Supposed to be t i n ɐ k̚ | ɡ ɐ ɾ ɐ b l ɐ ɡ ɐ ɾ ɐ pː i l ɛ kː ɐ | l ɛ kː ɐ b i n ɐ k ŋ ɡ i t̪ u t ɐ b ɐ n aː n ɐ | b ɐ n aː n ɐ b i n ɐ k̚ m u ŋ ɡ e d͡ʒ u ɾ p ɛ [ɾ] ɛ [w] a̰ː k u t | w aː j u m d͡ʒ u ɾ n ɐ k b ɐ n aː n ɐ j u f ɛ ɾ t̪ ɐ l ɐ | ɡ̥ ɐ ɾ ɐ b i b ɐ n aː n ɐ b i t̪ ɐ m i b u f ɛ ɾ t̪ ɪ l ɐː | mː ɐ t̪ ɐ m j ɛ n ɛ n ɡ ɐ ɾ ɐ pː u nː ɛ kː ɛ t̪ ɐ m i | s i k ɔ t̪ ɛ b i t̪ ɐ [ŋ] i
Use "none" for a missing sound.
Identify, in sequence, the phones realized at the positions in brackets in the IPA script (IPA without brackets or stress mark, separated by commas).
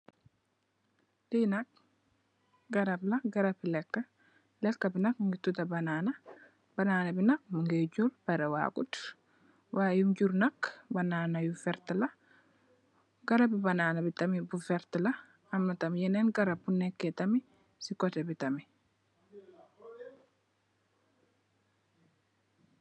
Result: ɾ, w, m